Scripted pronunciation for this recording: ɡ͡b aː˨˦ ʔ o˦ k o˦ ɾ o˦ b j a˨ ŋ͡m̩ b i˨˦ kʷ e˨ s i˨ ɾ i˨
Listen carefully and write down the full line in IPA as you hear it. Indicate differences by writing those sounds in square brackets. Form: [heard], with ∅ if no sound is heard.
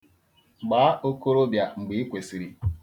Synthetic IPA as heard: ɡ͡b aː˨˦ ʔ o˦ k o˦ ɾ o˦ b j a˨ ŋ͡m̩ [ɡ͡b] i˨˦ kʷ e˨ s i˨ ɾ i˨